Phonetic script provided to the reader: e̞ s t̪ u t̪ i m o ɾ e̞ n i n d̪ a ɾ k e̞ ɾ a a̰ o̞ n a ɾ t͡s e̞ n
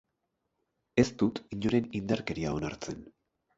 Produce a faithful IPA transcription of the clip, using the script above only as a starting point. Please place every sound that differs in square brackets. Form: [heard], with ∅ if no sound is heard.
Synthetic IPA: e̞ s t̪ u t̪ i [ɲ] o ɾ e̞ n i n d̪ a ɾ k e̞ ɾ [i] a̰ o̞ n a ɾ t͡s e̞ n